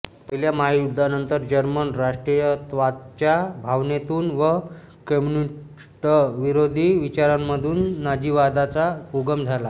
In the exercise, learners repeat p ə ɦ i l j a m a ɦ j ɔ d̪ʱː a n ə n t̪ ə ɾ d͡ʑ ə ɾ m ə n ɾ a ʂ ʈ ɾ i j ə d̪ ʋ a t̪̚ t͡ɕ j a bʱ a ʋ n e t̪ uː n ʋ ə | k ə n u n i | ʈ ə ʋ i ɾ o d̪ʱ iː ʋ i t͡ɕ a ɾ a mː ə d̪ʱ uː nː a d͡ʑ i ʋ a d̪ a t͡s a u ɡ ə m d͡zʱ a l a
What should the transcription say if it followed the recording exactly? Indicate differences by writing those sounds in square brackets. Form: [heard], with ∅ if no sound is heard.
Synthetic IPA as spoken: p ə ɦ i l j a m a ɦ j [u] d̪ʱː a n ə n t̪ ə ɾ d͡ʑ ə ɾ m ə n ɾ a ʂ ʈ ɾ i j ə [t̪] ʋ a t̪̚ t͡ɕ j a bʱ a ʋ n e t̪ uː n ʋ ə | k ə [m] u n i | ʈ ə ʋ i ɾ o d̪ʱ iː ʋ i t͡ɕ a ɾ a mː ə d̪ʱ uː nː a d͡ʑ i ʋ a d̪ a t͡s a u ɡ ə m d͡zʱ a l a